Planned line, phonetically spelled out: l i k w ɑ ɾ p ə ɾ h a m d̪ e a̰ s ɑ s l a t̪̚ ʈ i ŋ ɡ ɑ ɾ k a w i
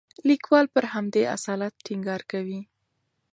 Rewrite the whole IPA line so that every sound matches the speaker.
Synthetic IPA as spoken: l i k w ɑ l p ə ɾ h a m d̪ e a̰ s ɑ l a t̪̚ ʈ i ŋ ɡ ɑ ɾ k a w i

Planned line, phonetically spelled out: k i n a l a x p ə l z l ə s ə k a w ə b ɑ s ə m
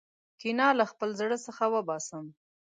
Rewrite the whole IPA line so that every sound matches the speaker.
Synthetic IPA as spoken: k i n ɑ l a x p ə l z ɽ ə s ə x a w ə b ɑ s ə m

